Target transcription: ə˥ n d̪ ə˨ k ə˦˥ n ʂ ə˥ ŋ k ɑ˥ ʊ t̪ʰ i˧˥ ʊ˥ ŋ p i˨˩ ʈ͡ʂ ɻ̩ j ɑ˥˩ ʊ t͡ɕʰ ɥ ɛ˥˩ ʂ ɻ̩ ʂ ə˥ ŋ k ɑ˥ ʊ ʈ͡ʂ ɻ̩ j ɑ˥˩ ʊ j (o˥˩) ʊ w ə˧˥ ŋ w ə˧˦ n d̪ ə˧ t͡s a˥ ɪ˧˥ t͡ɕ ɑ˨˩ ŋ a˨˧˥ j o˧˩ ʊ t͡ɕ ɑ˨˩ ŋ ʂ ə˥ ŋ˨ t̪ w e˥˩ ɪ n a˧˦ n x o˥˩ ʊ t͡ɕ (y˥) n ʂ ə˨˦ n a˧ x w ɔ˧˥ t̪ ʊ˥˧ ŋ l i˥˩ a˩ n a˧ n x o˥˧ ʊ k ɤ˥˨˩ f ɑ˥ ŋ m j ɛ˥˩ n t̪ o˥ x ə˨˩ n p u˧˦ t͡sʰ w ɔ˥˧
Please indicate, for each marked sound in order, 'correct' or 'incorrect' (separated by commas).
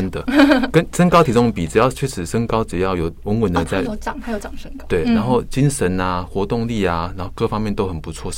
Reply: incorrect, incorrect